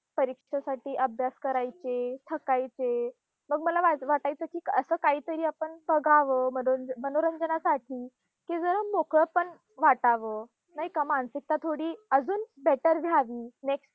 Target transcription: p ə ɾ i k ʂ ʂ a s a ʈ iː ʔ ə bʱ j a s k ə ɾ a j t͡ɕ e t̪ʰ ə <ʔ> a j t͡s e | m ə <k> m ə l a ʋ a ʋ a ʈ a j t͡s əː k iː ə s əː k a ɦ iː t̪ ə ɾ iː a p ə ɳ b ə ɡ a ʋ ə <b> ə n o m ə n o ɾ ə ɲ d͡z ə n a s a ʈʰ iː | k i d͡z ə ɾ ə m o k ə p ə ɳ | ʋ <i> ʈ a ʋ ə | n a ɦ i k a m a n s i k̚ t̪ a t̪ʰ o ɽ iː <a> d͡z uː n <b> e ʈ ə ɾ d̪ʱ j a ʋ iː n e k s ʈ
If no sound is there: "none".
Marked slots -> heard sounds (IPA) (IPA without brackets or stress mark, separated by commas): k, ɡ, m, a, ə, b